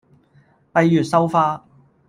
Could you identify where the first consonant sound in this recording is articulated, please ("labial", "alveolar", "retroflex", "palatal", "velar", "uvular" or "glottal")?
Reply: labial